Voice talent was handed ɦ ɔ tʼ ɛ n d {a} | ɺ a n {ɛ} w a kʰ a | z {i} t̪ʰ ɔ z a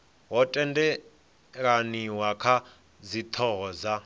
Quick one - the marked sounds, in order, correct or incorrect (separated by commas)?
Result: incorrect, incorrect, correct